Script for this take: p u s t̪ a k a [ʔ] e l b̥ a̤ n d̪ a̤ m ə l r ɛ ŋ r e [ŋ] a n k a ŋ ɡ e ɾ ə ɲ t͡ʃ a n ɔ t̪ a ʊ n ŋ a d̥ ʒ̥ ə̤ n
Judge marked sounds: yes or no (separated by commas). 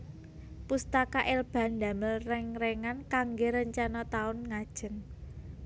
yes, yes